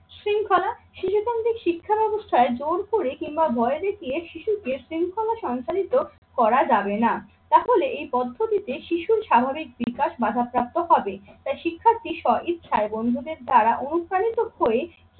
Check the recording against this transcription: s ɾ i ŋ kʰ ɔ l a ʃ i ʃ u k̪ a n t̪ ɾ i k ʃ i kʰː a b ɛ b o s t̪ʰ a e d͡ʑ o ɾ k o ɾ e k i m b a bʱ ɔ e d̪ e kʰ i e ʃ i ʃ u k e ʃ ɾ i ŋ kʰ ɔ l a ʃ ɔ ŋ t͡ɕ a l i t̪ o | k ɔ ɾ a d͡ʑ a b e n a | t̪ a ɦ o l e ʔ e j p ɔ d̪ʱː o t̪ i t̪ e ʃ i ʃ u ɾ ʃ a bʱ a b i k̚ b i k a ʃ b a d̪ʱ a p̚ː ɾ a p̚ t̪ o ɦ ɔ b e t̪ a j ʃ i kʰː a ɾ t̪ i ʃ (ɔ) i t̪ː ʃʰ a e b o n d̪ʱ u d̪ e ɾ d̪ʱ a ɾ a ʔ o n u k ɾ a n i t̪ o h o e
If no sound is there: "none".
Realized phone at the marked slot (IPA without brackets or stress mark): ɔ